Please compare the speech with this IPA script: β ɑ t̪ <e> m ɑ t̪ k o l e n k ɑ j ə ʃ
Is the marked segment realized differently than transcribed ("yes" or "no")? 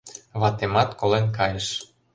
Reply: no